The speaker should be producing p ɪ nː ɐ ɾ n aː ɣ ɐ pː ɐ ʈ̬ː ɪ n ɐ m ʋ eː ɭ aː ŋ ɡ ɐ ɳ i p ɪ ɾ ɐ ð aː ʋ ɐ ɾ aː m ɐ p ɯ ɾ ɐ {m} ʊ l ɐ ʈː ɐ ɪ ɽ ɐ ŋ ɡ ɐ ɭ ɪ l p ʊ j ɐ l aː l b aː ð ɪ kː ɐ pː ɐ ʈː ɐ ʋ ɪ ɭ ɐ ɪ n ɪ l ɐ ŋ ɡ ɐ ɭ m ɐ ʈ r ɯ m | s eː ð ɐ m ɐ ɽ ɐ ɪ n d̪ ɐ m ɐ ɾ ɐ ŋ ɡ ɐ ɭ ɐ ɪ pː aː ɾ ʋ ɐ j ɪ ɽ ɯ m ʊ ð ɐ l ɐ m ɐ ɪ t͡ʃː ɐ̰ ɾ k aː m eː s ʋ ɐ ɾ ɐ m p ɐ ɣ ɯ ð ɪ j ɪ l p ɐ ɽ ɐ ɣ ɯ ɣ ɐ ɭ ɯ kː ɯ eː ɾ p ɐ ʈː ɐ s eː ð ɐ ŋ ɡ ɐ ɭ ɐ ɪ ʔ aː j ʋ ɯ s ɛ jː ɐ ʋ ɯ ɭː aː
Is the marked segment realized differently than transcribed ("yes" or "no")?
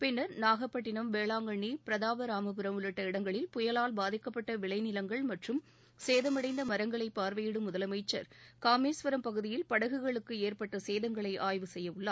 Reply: no